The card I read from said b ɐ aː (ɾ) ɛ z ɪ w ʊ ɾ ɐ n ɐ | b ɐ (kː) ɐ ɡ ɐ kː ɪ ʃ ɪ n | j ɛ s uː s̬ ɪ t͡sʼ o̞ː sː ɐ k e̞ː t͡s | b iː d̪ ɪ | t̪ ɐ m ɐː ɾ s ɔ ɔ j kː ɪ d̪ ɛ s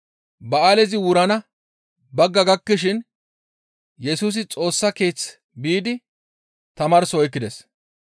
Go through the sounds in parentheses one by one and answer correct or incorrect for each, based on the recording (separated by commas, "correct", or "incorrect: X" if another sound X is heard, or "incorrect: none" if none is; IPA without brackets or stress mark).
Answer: incorrect: l, incorrect: ɡː